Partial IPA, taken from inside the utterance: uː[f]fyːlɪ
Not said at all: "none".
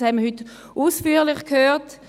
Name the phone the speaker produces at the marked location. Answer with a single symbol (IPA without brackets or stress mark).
s